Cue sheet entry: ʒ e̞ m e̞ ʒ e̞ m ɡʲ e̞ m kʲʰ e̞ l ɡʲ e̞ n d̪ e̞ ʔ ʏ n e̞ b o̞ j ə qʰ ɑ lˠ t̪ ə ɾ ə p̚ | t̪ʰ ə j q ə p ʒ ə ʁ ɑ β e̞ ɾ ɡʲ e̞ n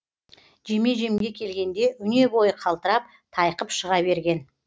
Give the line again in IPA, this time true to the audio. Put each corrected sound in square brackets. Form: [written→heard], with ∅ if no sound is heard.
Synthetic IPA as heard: ʒ e̞ m e̞ ʒ e̞ m ɡʲ e̞ [m→∅] kʲʰ e̞ l ɡʲ e̞ n d̪ e̞ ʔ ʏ n e̞ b o̞ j ə qʰ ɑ lˠ t̪ ə ɾ [ə→ɑ] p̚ | t̪ʰ [ə→ɑ] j q ə p [ʒ→ʃ] ə ʁ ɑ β e̞ ɾ ɡʲ e̞ n